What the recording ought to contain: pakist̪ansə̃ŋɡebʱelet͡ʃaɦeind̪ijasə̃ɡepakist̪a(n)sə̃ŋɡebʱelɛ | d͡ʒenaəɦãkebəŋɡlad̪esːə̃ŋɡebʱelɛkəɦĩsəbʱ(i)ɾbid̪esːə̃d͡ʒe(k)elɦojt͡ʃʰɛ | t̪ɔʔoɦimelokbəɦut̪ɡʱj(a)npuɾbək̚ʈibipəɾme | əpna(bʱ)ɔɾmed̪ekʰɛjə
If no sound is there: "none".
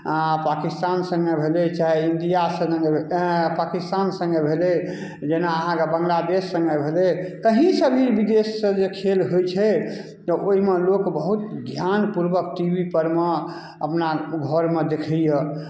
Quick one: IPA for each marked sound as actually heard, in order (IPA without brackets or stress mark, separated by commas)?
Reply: n, i, kʰ, a, ɡʱ